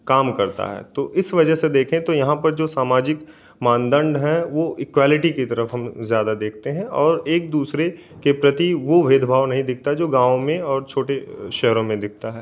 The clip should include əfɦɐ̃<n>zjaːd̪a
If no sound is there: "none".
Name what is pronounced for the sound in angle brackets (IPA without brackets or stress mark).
m